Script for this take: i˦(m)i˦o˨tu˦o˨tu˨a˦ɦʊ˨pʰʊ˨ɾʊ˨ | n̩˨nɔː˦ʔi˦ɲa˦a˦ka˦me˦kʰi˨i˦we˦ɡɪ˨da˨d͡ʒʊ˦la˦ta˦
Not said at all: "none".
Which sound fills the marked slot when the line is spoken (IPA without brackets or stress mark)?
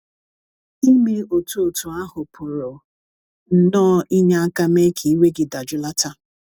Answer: m